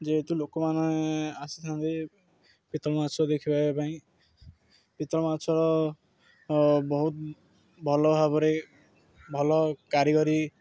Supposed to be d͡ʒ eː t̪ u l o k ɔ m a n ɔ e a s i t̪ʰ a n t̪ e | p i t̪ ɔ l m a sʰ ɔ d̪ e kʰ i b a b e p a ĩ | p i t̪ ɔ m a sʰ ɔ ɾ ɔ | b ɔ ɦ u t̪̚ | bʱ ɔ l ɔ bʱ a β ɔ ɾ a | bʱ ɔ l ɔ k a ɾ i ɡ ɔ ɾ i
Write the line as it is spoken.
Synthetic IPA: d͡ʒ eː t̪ u l o k ɔ m a n ɔ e a s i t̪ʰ a n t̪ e | p i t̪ ɔ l m a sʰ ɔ d̪ e kʰ i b a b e p a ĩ | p i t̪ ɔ m a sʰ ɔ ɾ ɔ | b ɔ ɦ u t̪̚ | bʱ ɔ l ɔ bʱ a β ɔ ɾ e | bʱ ɔ l ɔ k a ɾ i ɡ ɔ ɾ i